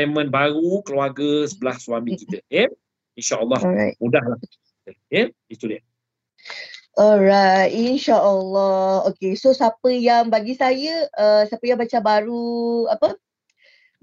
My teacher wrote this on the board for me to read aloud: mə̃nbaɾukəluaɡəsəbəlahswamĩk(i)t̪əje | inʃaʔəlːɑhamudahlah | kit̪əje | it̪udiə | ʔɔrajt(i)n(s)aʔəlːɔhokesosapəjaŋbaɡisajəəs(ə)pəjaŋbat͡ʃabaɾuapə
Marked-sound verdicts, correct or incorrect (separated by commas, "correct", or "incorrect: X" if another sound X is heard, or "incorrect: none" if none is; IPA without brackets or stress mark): correct, correct, incorrect: ʃ, incorrect: a